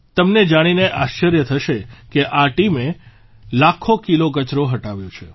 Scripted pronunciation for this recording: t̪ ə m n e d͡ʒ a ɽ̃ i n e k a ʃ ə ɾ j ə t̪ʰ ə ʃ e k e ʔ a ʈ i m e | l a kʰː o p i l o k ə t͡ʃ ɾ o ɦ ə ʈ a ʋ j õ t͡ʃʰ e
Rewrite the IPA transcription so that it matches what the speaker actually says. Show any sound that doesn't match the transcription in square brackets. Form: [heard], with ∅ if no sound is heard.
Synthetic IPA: t̪ ə m n e d͡ʒ a ɽ̃ i n e [ʔ] a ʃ ə ɾ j ə t̪ʰ ə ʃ e k e ʔ a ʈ i m e | l a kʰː o [k] i l o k ə t͡ʃ ɾ o ɦ ə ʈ a ʋ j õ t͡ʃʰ e